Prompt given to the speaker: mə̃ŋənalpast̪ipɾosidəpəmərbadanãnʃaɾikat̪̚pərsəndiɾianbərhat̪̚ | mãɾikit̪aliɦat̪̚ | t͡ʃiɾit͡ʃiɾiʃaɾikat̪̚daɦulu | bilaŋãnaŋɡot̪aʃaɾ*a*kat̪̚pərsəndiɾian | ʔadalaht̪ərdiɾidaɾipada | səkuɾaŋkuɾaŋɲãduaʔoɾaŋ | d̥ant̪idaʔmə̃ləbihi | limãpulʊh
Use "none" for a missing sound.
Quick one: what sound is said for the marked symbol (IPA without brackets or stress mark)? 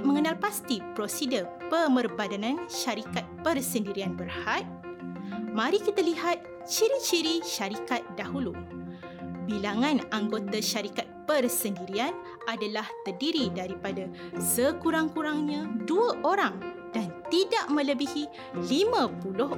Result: i